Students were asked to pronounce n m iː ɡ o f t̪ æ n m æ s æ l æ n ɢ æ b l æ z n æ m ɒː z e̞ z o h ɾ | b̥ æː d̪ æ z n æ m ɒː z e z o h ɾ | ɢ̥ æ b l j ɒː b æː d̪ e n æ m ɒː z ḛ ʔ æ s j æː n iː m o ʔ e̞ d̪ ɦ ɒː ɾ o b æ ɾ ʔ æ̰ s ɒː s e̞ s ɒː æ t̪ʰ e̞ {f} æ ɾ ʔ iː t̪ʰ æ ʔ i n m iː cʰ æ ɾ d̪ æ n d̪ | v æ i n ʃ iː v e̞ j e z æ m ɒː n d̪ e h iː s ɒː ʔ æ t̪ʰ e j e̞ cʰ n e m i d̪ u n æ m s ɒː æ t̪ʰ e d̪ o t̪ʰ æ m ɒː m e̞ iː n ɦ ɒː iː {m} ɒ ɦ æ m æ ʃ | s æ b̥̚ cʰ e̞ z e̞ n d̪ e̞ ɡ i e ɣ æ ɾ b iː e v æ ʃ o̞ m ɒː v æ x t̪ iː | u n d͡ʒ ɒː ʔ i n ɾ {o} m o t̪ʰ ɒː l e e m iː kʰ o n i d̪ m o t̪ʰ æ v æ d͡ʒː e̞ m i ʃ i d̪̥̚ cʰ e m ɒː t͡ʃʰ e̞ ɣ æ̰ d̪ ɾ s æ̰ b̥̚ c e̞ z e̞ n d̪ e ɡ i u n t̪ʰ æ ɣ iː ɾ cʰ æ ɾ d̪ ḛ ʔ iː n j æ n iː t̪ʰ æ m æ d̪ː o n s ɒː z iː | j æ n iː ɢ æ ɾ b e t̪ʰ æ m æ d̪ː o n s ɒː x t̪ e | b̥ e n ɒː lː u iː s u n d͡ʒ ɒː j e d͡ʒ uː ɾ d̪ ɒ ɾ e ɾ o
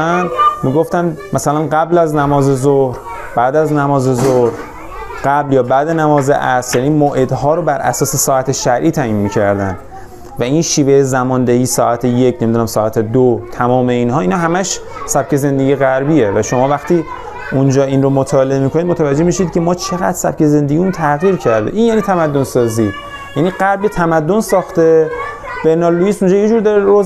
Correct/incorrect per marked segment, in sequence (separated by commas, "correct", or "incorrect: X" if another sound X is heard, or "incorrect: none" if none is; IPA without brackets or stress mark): incorrect: ʃ, incorrect: n, correct